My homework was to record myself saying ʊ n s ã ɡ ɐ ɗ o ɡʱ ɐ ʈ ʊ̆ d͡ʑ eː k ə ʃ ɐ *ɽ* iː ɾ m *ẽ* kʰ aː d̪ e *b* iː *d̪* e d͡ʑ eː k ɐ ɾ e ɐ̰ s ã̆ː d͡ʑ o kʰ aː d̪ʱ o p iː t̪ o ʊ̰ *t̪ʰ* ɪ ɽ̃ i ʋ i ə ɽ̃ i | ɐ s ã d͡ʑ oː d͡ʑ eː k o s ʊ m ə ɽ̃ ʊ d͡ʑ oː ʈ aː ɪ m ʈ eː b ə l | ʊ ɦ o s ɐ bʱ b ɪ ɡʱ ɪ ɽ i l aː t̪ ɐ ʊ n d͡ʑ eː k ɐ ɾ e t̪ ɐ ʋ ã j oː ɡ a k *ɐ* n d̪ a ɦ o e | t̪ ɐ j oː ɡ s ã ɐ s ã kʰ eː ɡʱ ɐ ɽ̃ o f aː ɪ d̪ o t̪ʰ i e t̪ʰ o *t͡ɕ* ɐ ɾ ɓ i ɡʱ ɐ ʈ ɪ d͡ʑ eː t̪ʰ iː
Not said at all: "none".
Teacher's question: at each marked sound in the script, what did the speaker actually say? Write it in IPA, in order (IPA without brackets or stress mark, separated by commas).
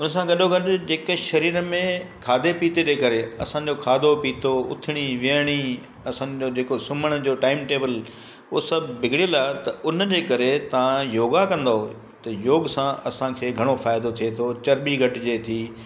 ɾ, ẽ, p, t̪, t̪ʰ, ɐ̃, t͡ɕ